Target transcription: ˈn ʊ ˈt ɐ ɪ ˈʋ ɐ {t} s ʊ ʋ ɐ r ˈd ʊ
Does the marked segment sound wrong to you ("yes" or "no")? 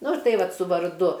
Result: no